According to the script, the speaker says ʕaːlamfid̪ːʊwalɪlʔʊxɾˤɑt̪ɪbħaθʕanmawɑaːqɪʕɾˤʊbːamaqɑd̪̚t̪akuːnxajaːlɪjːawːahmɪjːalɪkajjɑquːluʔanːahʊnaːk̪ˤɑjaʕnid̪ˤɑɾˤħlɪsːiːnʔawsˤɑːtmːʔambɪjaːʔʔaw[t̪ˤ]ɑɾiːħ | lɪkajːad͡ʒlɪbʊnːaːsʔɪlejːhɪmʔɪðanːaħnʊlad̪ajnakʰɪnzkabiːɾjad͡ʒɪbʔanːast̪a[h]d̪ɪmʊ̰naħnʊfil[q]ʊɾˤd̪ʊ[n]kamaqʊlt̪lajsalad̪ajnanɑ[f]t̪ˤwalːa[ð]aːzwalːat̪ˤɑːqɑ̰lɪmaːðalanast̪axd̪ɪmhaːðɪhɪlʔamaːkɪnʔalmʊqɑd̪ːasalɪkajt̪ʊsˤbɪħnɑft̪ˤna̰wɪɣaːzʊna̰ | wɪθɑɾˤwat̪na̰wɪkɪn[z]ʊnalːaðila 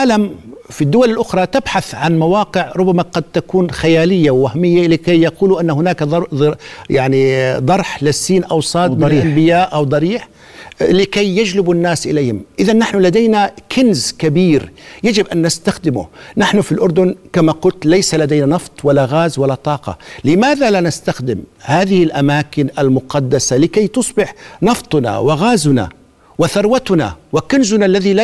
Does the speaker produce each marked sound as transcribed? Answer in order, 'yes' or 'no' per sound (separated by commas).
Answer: no, no, no, yes, yes, no, yes